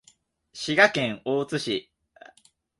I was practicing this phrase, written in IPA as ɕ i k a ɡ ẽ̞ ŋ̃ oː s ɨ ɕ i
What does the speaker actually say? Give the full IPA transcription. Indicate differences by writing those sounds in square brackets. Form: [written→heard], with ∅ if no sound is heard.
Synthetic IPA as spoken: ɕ i [k→ɡ] a [ɡ→k] ẽ̞ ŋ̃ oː [s→t͡s] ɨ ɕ i